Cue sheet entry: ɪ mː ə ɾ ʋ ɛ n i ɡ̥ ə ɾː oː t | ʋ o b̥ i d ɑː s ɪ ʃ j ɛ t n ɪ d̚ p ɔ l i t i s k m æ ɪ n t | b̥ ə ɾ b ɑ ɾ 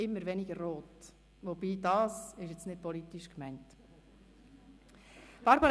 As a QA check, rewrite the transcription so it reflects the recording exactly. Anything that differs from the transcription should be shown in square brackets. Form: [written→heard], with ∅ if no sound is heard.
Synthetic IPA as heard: ɪ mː ə ɾ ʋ ɛ n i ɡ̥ ə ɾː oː t | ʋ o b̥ [i→iː] d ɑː s ɪ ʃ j ɛ [t→t͡s] n ɪ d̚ p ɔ l i t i [s→ʃ] k m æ ɪ n t | b̥ [ə→ɑ] ɾ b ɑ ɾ